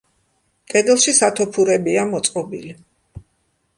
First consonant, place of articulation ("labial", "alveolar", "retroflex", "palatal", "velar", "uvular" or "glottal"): velar